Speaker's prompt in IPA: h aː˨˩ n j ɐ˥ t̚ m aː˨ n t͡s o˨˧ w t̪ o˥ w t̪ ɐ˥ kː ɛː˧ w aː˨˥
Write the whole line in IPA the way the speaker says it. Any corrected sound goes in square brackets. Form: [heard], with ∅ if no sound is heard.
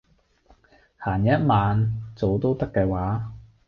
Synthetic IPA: h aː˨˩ n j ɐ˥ t̚ m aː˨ n t͡s o˨˧ w t̪ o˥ w t̪ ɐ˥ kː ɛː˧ w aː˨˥